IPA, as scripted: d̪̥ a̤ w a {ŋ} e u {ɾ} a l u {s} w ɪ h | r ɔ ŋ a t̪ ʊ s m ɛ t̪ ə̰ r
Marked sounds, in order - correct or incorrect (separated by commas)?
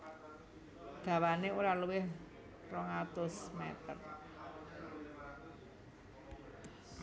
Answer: incorrect, correct, incorrect